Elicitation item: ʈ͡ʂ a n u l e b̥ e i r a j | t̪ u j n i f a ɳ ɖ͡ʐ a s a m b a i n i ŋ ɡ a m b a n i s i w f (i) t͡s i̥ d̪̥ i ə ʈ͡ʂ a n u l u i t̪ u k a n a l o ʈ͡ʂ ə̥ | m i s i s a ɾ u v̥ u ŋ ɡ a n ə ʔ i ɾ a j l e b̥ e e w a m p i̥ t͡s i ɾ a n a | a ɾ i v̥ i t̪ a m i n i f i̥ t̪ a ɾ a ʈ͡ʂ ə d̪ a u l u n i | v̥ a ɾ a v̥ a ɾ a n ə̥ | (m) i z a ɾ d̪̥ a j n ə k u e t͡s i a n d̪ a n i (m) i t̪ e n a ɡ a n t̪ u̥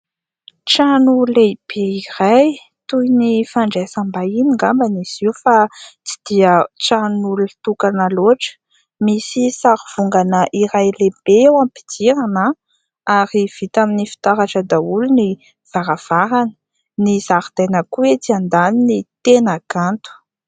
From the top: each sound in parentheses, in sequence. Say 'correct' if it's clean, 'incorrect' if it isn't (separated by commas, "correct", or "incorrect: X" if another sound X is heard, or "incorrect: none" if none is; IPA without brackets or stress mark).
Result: incorrect: a, incorrect: n, incorrect: n